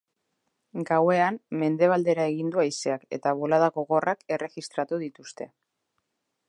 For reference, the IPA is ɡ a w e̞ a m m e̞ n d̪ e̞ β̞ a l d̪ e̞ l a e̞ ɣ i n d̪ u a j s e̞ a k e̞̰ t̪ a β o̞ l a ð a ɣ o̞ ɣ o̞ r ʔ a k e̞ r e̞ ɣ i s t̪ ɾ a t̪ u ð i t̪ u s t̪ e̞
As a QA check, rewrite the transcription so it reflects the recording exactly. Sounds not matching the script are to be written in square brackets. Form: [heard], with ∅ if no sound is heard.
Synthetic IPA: ɡ a w e̞ a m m e̞ n d̪ e̞ β̞ a l d̪ e̞ [ɾ] a e̞ ɣ i n d̪ u a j s e̞ a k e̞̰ t̪ a β o̞ l a ð a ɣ o̞ ɣ o̞ r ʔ a k e̞ r e̞ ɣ i s t̪ ɾ a t̪ u ð i t̪ u s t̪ e̞